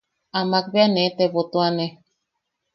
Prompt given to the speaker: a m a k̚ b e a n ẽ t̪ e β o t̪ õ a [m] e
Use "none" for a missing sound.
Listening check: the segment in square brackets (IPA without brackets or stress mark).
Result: n